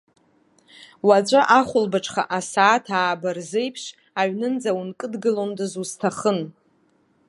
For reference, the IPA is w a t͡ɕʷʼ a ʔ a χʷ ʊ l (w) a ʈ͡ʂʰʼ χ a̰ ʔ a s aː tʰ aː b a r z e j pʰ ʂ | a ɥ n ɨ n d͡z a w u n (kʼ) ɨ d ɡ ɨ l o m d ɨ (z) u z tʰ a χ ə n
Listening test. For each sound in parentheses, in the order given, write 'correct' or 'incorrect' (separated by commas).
incorrect, correct, correct